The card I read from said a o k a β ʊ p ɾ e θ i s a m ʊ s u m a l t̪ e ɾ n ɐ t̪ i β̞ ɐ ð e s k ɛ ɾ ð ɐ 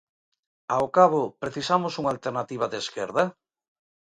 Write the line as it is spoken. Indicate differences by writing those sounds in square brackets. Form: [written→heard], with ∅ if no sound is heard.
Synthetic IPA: a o k a β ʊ p ɾ e θ i s a m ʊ s u [m→ŋ] a l t̪ e ɾ n [ɐ→a] t̪ i β̞ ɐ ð e s k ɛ ɾ ð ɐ